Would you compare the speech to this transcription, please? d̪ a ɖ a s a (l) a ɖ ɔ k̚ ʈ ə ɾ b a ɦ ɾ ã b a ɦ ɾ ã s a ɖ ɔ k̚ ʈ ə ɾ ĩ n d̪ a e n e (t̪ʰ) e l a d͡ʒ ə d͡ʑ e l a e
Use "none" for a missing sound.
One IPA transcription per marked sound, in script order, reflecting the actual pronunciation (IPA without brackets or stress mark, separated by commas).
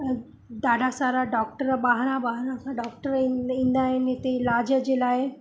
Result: ɾ, t̪